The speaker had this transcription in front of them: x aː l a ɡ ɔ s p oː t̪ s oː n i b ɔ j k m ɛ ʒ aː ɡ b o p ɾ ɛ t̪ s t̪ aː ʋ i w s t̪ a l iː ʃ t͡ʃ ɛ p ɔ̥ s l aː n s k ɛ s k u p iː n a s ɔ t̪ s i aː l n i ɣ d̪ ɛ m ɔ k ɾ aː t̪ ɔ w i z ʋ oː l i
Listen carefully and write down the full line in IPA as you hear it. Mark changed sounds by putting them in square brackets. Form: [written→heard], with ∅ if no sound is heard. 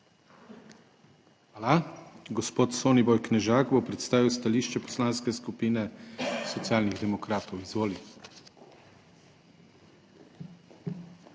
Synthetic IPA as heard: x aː l a ɡ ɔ s p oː t̪ s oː n i b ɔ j k [m→n] ɛ ʒ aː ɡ b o p ɾ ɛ t̪ s t̪ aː ʋ i w s t̪ a l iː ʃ t͡ʃ ɛ p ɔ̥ s l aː n s k ɛ s k u p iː n [a→ɛ] s ɔ t̪ s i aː l n i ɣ d̪ ɛ m ɔ k ɾ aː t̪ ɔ w i z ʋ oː l i